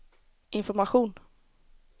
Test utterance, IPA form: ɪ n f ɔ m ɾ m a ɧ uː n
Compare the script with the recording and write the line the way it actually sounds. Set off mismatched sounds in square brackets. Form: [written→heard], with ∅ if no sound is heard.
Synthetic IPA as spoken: ɪ n f ɔ [m→∅] ɾ m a ɧ uː n